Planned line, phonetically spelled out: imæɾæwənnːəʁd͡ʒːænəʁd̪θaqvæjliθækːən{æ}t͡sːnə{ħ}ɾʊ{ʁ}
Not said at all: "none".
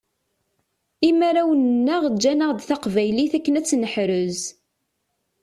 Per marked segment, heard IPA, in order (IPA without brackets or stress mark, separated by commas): æ, ħ, z